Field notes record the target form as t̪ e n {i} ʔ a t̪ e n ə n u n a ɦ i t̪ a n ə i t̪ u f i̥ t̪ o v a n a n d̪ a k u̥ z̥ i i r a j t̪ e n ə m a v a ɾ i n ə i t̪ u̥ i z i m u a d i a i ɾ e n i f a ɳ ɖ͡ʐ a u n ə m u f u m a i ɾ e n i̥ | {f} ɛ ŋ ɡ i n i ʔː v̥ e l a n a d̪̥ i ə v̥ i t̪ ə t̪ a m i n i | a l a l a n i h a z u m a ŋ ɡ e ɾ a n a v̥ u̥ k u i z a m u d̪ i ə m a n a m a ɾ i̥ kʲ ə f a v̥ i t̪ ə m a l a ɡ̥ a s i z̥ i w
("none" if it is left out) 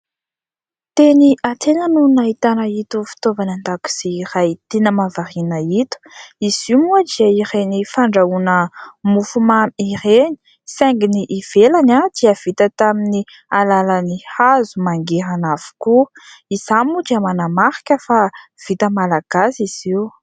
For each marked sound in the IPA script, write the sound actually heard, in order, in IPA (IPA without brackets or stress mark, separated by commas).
i, s